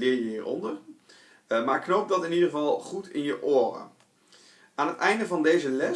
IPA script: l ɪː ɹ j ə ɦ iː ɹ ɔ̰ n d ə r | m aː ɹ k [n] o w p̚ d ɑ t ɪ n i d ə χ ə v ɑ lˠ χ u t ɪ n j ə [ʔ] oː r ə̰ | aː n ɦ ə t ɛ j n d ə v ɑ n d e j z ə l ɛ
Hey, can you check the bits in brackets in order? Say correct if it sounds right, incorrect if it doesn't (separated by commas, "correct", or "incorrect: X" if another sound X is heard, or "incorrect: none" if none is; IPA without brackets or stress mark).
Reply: correct, correct